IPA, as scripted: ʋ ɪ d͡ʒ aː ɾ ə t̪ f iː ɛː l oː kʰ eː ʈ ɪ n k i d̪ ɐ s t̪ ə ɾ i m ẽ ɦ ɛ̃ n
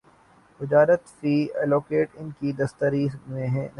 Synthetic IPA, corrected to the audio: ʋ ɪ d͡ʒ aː ɾ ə t̪ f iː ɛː l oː k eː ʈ ɪ n k i d̪ ɐ s t̪ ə ɾ i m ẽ ɦ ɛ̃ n